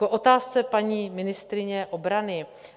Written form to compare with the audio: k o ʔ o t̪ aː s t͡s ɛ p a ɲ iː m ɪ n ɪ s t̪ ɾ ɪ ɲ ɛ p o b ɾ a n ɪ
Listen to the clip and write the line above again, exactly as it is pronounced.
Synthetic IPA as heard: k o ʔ o t̪ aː s t͡s ɛ p a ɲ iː m ɪ n ɪ s t̪ ɾ ɪ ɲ ɛ ʔ o b ɾ a n ɪ